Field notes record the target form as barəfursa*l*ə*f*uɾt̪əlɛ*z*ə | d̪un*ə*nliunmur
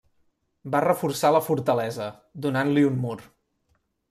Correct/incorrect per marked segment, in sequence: correct, correct, correct, incorrect: a

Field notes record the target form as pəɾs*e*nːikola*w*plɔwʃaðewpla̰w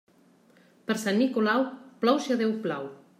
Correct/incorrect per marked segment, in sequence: incorrect: a, correct

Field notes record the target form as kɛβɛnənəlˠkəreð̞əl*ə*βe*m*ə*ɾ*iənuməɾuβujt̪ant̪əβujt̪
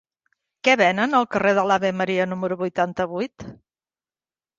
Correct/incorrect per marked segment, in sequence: incorrect: a, correct, correct

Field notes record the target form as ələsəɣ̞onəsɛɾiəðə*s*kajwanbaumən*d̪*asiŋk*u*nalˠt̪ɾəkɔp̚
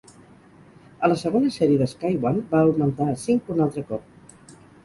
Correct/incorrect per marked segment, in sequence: correct, incorrect: t̪, correct

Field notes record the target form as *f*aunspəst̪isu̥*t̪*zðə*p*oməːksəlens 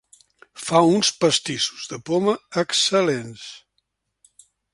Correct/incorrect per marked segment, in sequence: correct, incorrect: none, correct

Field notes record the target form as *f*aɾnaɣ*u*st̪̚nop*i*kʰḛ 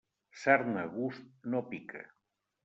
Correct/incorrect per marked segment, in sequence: incorrect: s, correct, correct

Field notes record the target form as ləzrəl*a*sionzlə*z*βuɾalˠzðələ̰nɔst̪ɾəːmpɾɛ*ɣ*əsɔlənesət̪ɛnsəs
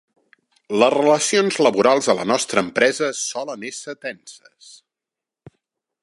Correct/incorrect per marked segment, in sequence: incorrect: ə, incorrect: none, incorrect: z

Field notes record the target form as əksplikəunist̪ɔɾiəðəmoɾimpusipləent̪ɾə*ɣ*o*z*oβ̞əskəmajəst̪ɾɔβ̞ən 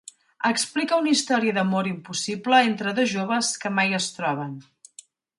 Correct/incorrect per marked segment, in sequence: incorrect: ð, incorrect: ʒ

